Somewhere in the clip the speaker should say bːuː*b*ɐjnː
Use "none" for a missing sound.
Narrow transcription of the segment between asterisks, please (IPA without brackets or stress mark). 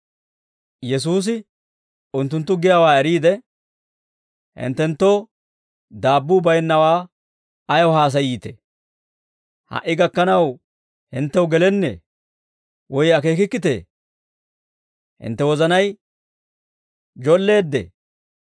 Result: b